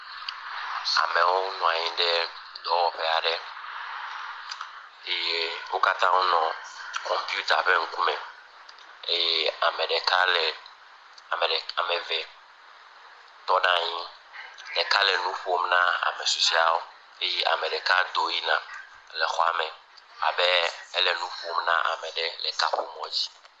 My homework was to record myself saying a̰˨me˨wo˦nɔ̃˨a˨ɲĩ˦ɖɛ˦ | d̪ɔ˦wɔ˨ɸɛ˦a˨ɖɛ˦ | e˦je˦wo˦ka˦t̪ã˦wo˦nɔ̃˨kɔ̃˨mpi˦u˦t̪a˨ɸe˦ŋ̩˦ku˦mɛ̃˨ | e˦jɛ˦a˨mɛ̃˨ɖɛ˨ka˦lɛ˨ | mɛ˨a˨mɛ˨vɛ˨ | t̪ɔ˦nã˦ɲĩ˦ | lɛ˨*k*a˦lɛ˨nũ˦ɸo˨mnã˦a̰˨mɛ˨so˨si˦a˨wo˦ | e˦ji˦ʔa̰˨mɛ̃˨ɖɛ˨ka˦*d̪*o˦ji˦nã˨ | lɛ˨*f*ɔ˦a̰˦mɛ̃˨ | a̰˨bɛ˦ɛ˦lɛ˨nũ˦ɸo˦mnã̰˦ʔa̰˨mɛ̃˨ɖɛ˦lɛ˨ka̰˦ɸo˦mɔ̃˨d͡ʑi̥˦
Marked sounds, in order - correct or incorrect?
correct, correct, incorrect: x

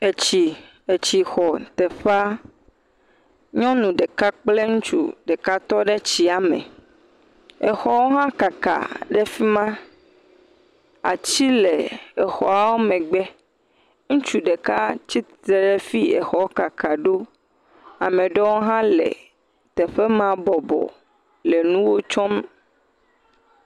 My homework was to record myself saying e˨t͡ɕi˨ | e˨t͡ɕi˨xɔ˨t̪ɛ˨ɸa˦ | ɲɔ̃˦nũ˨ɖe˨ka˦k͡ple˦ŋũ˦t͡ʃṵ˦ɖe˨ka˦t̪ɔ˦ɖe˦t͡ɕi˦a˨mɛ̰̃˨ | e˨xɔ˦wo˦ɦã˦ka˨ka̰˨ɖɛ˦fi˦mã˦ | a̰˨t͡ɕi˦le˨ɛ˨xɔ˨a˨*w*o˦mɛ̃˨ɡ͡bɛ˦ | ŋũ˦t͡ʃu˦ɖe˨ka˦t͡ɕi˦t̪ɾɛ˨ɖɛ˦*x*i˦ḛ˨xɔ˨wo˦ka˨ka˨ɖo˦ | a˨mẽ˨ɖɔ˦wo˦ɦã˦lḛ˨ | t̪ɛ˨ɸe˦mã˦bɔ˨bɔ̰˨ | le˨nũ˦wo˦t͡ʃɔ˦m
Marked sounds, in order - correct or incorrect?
correct, incorrect: f

